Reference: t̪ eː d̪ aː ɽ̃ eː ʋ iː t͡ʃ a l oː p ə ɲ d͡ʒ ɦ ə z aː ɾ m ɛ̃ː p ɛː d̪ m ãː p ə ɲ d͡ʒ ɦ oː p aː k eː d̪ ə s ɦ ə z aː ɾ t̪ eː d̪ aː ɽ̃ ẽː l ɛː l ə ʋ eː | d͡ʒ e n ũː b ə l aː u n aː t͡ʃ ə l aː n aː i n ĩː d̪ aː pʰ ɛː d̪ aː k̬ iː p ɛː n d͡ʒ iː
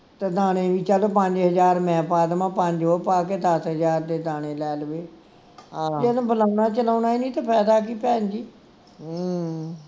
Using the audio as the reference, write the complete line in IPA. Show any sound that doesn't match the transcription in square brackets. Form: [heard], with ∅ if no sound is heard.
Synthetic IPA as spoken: t̪ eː d̪ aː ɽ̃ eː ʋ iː t͡ʃ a l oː p ə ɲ d͡ʒ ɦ ə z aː ɾ m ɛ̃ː p [aː] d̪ m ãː p ə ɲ d͡ʒ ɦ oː p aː k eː d̪ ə s ɦ ə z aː ɾ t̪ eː d̪ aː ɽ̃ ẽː l ɛː l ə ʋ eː | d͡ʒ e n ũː b ə l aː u n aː t͡ʃ ə l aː n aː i n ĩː [t̪] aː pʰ ɛː d̪ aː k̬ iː p ɛː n d͡ʒ iː